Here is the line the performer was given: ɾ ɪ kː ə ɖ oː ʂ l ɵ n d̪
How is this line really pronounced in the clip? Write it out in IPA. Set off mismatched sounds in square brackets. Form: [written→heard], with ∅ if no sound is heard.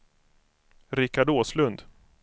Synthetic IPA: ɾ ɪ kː [ə→a] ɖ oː [ʂ→s] l ɵ n d̪